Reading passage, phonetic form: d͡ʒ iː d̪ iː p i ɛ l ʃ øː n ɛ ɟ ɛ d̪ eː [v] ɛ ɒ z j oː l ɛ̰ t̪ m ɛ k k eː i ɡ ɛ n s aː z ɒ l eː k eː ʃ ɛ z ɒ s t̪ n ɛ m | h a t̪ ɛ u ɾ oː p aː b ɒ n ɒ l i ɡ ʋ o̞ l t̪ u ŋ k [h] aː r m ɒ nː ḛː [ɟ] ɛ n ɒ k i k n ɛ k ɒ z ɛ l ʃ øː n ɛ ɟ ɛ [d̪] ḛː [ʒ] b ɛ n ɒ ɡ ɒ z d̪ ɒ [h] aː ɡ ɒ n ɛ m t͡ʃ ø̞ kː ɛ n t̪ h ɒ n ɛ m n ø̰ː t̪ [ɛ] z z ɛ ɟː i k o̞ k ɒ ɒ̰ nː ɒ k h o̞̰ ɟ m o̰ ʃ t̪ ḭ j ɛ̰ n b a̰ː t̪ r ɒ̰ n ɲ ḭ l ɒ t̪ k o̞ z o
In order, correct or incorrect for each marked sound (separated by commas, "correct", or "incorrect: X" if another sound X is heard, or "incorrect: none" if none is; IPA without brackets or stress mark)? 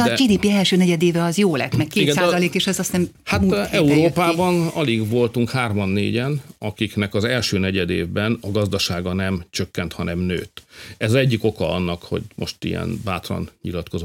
correct, correct, correct, correct, incorrect: v, incorrect: ʃ, correct